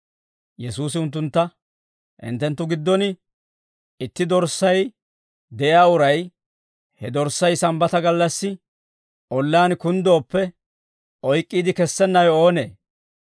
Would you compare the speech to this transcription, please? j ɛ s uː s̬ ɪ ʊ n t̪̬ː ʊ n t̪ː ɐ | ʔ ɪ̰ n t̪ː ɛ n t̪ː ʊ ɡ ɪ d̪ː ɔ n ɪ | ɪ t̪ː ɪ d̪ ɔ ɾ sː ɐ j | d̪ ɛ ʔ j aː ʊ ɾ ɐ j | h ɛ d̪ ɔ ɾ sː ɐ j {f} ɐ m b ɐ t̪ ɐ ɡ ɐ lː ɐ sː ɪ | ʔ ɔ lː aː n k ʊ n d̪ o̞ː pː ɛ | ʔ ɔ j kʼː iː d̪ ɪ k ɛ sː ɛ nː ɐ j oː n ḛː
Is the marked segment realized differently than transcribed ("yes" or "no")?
yes